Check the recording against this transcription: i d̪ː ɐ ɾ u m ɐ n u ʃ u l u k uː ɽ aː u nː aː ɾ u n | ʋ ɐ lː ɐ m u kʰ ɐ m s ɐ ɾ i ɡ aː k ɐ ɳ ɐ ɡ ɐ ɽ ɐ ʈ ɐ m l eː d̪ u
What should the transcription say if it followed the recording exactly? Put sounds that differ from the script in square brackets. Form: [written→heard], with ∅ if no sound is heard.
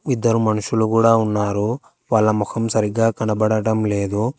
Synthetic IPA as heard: i d̪ː ɐ ɾ u m ɐ n u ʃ u l u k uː ɽ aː u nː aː ɾ u [n→∅] | ʋ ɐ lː ɐ m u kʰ ɐ m s ɐ ɾ i ɡ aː k ɐ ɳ ɐ [ɡ→b] ɐ ɽ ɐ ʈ ɐ m l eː d̪ u

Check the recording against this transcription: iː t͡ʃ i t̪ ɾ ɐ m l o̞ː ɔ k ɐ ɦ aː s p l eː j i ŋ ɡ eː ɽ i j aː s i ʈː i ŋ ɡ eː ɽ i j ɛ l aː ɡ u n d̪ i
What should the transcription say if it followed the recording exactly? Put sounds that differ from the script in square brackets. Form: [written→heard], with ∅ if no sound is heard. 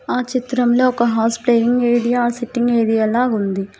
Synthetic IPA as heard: [iː→aː] t͡ʃ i t̪ ɾ ɐ m l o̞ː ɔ k ɐ ɦ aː s p l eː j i ŋ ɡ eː ɽ i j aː s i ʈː i ŋ ɡ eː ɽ i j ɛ l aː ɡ u n d̪ i

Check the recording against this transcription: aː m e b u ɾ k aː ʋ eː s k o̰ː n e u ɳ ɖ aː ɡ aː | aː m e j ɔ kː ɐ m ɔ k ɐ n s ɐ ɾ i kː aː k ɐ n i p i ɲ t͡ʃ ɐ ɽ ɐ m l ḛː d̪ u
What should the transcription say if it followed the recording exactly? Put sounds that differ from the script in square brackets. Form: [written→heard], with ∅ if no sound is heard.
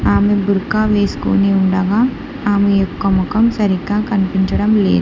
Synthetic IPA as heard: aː m e b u ɾ k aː ʋ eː s k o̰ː n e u ɳ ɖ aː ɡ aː | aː m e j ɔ kː ɐ m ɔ k ɐ [n→m] s ɐ ɾ i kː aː k ɐ n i p i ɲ t͡ʃ ɐ ɽ ɐ m l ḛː d̪ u

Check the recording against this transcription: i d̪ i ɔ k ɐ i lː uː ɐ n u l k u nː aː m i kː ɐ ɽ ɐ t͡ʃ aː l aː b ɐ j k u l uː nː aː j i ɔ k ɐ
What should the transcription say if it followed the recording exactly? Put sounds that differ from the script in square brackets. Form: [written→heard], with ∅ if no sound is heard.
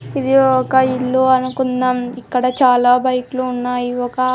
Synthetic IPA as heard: i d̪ i ɔ k ɐ i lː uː ɐ n u [l→∅] k u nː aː m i kː ɐ ɽ ɐ t͡ʃ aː l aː b ɐ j k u l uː nː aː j i ɔ k ɐ

